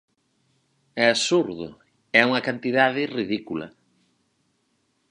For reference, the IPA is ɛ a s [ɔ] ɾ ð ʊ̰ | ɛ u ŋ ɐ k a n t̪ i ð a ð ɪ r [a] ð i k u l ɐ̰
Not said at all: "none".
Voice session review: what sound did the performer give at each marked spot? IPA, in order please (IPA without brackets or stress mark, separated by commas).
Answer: u, i